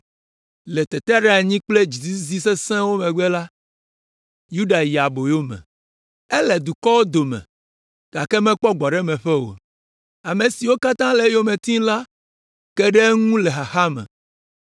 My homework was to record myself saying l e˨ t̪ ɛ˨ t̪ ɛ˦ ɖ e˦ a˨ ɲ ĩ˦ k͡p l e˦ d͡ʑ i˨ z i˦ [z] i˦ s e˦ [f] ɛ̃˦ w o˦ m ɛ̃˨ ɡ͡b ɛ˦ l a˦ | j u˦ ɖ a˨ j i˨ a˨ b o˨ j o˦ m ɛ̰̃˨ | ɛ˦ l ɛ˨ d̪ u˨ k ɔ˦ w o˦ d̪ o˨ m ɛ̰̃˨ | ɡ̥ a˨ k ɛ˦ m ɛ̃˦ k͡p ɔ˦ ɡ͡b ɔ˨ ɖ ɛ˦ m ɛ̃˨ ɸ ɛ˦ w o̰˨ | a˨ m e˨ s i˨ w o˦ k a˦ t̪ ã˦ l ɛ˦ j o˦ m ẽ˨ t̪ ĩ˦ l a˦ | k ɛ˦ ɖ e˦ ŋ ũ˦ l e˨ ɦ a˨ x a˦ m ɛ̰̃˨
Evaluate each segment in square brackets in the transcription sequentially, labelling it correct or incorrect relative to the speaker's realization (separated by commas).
correct, incorrect